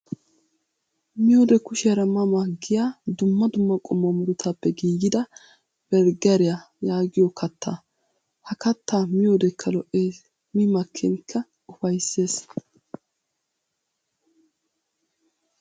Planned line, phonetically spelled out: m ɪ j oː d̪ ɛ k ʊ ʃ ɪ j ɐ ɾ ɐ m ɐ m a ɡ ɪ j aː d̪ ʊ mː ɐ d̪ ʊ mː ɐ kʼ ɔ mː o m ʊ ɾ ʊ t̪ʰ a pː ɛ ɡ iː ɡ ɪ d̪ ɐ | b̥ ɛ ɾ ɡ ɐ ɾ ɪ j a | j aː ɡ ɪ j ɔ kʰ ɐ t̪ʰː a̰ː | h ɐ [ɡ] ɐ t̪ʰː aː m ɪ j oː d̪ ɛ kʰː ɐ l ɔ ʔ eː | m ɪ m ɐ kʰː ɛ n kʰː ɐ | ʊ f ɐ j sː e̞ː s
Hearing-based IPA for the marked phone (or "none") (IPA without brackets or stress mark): k